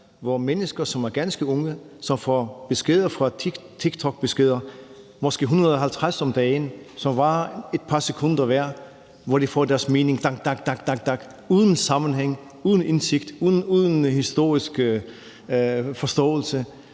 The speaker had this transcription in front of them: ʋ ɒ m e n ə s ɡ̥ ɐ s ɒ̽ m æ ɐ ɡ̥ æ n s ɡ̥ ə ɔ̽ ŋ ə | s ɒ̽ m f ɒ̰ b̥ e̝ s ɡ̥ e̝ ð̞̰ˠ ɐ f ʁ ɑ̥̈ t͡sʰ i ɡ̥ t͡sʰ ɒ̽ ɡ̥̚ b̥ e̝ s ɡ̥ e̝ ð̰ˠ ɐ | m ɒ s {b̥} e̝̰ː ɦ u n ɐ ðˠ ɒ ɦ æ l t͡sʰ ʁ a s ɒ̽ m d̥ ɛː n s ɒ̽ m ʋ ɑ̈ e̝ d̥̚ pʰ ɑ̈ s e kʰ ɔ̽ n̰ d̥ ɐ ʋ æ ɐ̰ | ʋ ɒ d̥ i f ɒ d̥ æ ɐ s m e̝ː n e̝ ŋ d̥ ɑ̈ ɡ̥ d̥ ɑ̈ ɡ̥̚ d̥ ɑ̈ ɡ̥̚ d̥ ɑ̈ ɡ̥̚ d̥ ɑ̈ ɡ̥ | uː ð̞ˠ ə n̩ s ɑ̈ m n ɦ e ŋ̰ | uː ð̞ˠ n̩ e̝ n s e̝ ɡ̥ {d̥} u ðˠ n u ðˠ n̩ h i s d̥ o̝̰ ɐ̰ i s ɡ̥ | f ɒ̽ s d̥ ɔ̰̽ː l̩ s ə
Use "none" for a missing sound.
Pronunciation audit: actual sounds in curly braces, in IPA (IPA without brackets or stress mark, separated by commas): ɡ̥, d̥